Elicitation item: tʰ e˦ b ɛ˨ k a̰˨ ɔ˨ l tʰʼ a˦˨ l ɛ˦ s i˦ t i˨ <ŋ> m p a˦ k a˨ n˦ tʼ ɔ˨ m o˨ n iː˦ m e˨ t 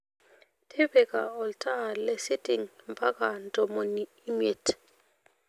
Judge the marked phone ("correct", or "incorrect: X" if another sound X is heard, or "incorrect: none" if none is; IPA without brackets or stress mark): correct